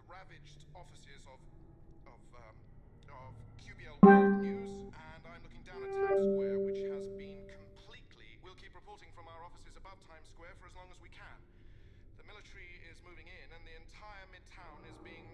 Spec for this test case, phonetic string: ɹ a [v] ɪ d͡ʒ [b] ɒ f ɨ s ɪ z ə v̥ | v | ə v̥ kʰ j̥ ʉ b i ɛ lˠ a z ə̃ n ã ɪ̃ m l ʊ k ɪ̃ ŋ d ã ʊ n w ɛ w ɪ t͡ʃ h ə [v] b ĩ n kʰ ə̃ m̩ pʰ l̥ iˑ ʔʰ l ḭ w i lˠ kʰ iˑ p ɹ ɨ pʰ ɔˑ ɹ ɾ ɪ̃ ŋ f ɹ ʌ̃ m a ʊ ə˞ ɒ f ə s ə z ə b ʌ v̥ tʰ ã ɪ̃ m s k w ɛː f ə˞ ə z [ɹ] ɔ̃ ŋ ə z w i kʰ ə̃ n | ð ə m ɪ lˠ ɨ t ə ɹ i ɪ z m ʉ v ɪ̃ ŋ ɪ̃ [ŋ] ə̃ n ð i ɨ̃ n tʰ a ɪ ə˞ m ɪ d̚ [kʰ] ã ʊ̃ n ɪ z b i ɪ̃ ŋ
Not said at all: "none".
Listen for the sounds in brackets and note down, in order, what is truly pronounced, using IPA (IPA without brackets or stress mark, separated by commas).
v, d, z, l, n, tʰ